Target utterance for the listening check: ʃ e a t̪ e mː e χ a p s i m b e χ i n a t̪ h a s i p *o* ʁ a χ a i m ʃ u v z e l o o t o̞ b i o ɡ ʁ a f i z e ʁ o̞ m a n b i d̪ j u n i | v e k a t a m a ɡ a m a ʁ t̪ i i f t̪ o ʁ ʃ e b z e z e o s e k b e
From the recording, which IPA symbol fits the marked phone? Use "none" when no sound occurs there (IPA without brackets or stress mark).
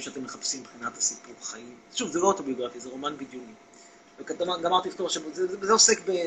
u